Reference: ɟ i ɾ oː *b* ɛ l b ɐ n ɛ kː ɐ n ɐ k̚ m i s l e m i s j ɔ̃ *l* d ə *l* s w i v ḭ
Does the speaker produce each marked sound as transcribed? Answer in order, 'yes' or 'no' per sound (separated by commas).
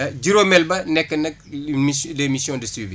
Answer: no, no, no